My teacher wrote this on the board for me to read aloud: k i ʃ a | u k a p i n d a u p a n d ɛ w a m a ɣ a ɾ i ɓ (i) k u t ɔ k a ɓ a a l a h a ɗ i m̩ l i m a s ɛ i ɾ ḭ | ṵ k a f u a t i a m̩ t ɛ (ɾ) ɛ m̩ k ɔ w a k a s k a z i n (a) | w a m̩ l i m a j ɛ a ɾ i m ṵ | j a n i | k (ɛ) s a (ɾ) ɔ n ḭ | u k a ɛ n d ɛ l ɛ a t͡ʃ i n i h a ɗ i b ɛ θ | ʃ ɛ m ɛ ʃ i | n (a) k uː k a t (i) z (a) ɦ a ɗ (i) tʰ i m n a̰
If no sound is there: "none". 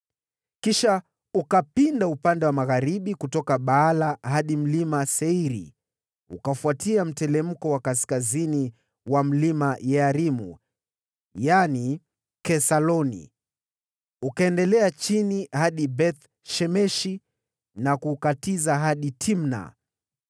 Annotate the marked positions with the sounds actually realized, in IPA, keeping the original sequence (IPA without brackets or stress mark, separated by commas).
i, l, i, ɛ, l, a, i, a, i